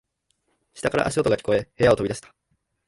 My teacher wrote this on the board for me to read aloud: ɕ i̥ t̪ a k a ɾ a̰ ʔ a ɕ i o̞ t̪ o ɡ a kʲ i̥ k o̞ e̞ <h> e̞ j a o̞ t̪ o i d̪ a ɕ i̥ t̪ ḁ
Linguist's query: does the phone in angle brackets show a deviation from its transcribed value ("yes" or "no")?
no